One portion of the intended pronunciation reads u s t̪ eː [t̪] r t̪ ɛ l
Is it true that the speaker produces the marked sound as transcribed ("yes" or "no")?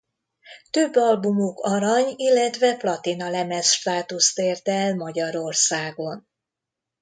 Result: no